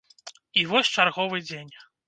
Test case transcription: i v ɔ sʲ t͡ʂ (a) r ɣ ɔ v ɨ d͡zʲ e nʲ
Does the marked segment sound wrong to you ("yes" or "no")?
no